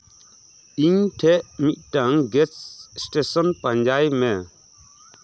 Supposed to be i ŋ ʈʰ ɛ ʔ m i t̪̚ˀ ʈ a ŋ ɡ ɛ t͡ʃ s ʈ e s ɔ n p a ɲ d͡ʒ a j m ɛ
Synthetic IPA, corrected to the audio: i ɲ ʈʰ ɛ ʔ m i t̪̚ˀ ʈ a ŋ ɡ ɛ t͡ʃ s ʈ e s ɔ n p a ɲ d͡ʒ a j m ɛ